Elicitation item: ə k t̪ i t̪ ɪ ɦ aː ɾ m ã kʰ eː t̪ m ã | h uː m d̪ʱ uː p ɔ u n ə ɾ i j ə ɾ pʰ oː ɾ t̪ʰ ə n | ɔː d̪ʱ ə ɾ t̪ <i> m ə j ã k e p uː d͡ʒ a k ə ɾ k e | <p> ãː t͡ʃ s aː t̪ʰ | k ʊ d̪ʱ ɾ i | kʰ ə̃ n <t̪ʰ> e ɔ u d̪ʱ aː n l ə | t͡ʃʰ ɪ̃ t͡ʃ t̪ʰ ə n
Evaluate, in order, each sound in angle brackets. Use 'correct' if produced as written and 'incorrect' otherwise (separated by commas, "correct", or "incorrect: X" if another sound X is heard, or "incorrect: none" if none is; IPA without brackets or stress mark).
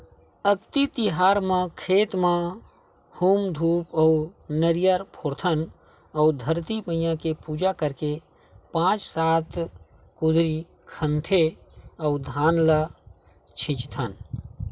correct, correct, correct